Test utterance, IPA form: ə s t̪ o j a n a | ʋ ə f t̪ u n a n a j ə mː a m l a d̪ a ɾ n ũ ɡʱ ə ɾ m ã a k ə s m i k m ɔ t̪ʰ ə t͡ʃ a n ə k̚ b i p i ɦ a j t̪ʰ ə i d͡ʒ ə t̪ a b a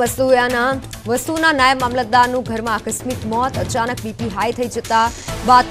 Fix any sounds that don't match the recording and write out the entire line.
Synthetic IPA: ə s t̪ u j a n a | ʋ ə s t̪ u n a n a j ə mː a m l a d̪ a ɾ n ũ ɡʱ ə ɾ m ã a k ə s m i k m ɔ t̪ ə t͡ʃ a n ə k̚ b i p i ɦ a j t̪ʰ ə i d͡ʒ ə t̪ a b a